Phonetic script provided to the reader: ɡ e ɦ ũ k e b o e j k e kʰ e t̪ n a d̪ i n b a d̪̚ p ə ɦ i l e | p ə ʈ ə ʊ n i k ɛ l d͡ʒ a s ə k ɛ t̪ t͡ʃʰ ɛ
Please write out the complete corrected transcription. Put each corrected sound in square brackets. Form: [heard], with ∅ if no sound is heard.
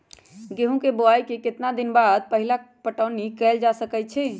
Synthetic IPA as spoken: ɡ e ɦ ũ k e b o [a] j k e [k] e t̪ n a d̪ i n b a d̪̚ p ə ɦ i l [a] | p ə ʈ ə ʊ n i k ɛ l d͡ʒ a s ə k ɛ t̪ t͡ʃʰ ɛ